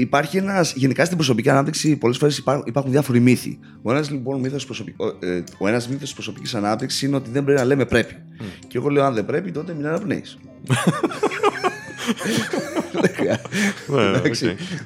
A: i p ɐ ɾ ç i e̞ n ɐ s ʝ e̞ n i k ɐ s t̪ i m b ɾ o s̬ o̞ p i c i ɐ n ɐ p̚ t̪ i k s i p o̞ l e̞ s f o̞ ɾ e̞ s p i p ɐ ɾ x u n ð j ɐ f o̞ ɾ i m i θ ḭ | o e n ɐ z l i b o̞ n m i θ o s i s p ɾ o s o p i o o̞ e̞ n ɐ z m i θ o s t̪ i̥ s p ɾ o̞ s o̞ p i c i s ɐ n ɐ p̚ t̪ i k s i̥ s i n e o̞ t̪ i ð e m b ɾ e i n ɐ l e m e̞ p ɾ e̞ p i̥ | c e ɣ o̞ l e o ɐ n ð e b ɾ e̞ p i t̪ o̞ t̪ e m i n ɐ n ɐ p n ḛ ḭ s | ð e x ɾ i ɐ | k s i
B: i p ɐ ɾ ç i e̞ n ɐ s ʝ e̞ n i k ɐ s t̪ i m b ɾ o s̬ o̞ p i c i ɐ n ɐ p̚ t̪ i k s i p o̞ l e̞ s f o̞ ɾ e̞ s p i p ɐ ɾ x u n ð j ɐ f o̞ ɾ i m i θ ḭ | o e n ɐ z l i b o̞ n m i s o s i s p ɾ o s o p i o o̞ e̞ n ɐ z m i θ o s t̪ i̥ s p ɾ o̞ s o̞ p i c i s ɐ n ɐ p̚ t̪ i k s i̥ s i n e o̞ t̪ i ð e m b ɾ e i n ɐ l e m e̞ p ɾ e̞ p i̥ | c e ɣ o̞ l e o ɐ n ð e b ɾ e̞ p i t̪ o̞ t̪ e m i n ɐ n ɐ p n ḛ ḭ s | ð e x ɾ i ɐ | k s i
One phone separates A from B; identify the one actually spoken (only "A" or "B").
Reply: A